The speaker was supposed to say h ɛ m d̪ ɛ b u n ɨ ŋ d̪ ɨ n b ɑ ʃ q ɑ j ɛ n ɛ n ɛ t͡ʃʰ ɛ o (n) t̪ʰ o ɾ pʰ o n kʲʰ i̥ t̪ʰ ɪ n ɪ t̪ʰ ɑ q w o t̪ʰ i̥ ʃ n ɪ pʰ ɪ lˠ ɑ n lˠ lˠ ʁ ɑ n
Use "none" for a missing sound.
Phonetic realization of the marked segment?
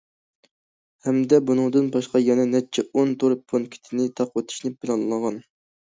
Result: n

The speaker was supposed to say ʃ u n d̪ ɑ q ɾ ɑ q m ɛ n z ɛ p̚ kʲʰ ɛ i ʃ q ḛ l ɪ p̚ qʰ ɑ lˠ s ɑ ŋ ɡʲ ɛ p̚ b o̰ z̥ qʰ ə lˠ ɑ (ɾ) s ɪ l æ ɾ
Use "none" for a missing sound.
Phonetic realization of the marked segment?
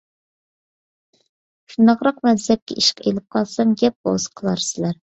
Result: ɾ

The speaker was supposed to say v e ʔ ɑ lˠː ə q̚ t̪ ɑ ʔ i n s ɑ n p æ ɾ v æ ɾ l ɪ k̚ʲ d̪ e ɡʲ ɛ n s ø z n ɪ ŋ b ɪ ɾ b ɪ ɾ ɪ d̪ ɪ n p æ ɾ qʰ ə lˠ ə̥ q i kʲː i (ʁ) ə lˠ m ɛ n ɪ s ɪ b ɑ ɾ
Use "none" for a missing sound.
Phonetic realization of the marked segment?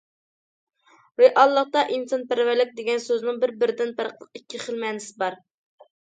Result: χ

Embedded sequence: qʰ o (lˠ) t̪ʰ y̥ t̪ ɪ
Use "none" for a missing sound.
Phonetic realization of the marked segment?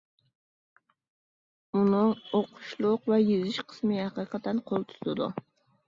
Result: lˠ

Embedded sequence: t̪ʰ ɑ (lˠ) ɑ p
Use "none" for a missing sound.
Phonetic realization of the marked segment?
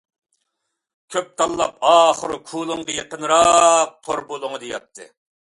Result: lˠː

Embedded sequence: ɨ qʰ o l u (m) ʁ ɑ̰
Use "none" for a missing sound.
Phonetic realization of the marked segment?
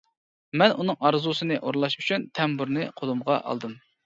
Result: m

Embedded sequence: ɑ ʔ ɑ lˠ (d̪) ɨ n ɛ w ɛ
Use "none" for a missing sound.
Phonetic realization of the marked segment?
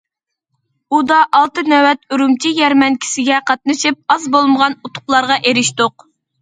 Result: t̪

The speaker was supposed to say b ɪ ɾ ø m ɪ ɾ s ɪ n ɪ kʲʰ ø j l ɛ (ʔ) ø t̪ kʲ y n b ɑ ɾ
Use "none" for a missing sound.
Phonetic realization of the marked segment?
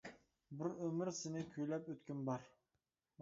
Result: p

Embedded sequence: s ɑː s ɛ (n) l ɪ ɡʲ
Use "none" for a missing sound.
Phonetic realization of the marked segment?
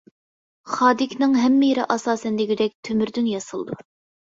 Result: n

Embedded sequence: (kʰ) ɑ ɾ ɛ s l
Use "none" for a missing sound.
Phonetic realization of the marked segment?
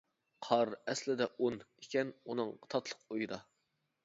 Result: qʰ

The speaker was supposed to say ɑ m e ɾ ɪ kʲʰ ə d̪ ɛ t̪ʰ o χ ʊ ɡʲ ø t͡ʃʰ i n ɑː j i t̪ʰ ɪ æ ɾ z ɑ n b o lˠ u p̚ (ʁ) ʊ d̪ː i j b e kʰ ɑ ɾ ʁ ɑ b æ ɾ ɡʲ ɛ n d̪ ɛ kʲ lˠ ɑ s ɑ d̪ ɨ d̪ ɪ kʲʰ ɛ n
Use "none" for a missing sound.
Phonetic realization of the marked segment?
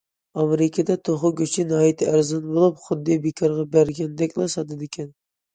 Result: χ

